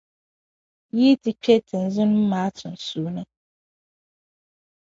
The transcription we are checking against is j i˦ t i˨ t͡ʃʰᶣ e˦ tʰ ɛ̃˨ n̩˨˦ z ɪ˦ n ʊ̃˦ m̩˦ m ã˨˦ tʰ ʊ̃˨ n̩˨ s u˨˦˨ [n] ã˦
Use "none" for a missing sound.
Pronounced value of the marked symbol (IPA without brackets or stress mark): n